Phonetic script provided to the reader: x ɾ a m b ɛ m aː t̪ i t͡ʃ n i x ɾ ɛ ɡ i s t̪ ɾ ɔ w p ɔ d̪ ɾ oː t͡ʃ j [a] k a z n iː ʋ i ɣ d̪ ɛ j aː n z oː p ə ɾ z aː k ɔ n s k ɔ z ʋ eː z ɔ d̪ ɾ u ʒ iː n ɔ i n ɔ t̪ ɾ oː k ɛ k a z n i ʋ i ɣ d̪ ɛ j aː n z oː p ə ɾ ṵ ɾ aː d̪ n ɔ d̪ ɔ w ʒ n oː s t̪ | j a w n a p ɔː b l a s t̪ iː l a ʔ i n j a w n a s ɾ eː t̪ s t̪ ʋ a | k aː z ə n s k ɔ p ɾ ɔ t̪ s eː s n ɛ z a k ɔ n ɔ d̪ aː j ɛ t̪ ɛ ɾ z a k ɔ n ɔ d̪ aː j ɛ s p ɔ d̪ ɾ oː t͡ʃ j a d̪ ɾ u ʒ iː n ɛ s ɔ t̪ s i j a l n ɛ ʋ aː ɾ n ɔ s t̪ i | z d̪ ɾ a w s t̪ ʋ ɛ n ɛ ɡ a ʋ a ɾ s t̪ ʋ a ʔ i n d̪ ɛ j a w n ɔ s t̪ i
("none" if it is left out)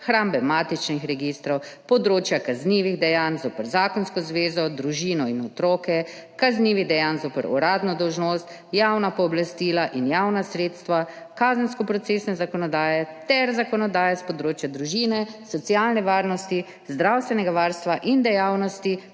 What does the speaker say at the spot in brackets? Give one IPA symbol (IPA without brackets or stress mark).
a